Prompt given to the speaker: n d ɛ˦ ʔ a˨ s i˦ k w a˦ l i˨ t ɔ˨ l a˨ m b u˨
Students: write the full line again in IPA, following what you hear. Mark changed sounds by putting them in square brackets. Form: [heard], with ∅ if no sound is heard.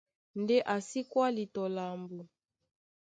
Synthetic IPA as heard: n d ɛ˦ ʔ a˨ s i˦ k w a˦ l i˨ t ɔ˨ l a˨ m b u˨